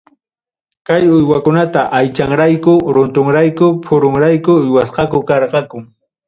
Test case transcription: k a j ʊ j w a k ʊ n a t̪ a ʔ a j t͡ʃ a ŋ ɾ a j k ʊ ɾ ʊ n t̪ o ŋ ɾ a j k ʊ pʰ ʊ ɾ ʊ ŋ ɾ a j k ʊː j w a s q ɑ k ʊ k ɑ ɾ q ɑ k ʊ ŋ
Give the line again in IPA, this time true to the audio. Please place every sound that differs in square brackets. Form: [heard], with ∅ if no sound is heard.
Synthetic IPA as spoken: k a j ʊ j w a k ʊ n a t̪ a ʔ a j t͡ʃ a ŋ ɾ a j k ʊ ɾ ʊ n t̪ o ŋ ɾ a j k ʊ pʰ ʊ ɾ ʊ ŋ ɾ a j k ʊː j w a s q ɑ k ʊ k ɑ ɾ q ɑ k ʊ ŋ